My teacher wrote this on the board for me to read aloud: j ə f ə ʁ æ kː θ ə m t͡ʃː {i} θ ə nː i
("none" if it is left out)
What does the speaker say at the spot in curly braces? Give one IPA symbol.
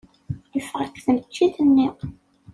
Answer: i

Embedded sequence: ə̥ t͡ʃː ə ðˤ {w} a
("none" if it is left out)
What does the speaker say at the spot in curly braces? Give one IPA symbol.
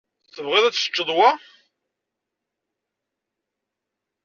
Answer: w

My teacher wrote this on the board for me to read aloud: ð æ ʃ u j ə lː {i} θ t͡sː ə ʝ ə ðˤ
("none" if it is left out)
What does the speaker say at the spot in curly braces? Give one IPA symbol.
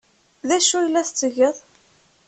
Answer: æ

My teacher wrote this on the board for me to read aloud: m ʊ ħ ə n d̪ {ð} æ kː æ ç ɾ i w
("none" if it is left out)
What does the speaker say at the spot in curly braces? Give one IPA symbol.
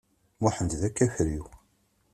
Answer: ð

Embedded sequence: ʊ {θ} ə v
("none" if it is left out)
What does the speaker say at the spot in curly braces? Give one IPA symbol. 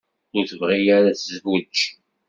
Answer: θ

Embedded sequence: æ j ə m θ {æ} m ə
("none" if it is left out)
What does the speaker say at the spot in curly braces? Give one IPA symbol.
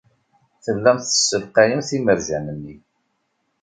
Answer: i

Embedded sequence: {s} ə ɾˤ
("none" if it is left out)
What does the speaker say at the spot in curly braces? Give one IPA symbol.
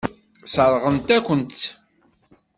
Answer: s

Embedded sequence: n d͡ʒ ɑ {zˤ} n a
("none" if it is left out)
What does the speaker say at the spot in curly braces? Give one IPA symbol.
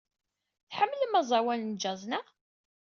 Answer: zˤ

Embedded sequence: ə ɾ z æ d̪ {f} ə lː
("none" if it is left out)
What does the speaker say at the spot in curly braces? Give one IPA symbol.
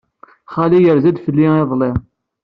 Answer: f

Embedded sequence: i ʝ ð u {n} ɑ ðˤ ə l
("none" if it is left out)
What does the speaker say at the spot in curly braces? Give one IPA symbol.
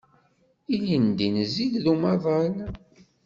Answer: m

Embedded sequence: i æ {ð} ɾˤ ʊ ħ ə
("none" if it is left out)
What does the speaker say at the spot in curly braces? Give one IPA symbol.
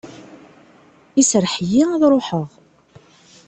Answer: ð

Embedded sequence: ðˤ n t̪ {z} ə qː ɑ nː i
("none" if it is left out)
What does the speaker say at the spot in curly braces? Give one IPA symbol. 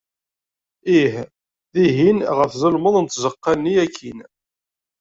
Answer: z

